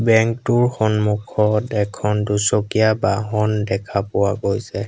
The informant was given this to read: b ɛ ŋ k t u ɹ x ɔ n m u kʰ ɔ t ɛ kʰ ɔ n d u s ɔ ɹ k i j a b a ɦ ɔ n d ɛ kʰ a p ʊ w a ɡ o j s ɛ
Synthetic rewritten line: b ɛ ŋ k t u ɹ x ɔ n m u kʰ ɔ t ɛ kʰ ɔ n d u s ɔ k i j a b a ɦ ɔ n d ɛ kʰ a p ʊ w a ɡ o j s ɛ